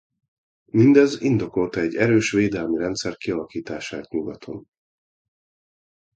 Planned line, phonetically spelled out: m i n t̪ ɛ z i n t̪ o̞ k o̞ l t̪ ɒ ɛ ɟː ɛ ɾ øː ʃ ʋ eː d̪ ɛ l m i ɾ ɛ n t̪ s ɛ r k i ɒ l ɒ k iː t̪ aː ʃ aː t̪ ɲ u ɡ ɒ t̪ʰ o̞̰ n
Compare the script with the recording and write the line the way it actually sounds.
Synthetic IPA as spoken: m i n d̪ ɛ z i n d̪ o̞ k o̞ l t̪ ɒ ɛ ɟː ɛ ɾ øː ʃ ʋ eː d̪ ɛ l m i ɾ ɛ n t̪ s ɛ r k i ɒ l ɒ k iː t̪ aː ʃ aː t̪ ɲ u ɡ ɒ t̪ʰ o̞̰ n

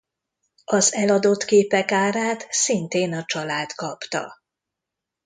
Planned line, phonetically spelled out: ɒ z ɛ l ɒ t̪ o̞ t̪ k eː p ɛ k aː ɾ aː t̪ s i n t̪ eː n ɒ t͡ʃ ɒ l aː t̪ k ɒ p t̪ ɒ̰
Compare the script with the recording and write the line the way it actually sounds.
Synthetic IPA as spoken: ɒ z ɛ l ɒ d̪ o̞ t̪ k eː p ɛ k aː ɾ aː t̪ s i n t̪ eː n ɒ t͡ʃ ɒ l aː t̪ k ɒ p t̪ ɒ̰

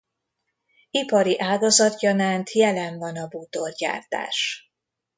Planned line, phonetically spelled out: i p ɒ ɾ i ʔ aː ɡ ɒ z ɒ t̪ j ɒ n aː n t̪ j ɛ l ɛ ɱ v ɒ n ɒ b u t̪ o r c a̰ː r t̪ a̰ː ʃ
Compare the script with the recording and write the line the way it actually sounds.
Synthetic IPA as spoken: i p ɒ ɾ i ʔ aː ɡ ɒ z ɒ t̪ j ɒ n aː n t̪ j ɛ l ɛ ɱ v ɒ n ɒ b u t̪ o r ɟ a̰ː r t̪ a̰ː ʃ

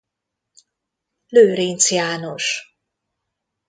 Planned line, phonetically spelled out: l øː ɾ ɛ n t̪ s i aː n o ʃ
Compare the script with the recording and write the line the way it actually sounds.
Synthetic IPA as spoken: l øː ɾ i n t̪ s j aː n o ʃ

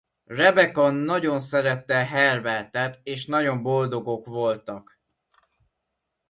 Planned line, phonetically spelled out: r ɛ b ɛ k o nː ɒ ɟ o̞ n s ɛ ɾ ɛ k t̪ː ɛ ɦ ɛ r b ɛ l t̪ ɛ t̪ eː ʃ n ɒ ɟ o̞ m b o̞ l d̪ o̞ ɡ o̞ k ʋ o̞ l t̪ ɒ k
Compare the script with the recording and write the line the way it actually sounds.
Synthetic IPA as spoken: r ɛ b ɛ k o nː ɒ ɟ o̞ n s ɛ ɾ ɛ t̪ː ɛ ɦ ɛ r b ɛ l t̪ ɛ t̪ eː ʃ n ɒ ɟ o̞ m b o̞ l d̪ o̞ ɡ o̞ k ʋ o̞ l t̪ ɒ k

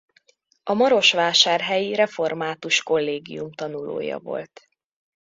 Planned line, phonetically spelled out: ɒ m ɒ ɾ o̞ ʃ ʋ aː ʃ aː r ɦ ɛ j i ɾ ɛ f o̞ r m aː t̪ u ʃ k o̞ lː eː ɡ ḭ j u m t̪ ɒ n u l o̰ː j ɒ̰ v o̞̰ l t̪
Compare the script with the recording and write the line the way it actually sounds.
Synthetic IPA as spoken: ɒ m ɒ ɾ o̞ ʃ ʋ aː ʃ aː r ɦ ɛ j i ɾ ɛ f o̞ r m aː t̪ u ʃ k o̞ lː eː ɡ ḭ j u m t̪ ɒ n u l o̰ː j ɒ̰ v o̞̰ l t̪

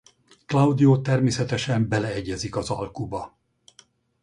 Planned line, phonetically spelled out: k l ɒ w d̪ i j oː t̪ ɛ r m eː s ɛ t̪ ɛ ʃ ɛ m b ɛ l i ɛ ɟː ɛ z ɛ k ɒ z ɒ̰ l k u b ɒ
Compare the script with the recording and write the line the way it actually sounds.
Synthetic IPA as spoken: k l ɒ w d̪ i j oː t̪ ɛ r m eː s ɛ t̪ ɛ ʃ ɛ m b ɛ l ɛ ɛ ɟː ɛ z i k ɒ z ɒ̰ l k u b ɒ

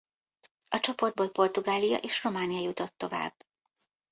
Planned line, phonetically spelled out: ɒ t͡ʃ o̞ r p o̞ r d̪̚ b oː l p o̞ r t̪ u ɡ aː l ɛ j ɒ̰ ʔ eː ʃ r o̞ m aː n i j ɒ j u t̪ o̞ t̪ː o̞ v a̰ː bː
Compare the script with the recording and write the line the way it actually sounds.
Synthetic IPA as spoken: ɒ t͡ʃ o̞ p o̞ r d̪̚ b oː l p o̞ r t̪ u ɡ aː l i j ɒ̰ ʔ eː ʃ r o̞ m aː n i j ɒ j u t̪ o̞ t̪ː o̞ v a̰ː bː

